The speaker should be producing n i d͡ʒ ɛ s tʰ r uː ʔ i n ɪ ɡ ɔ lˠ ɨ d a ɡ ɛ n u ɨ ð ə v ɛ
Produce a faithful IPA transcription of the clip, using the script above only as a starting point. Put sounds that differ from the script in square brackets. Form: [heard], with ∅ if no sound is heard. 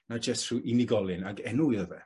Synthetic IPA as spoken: n [a] d͡ʒ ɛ s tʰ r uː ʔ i n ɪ ɡ ɔ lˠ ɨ [n] a ɡ ɛ n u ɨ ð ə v ɛ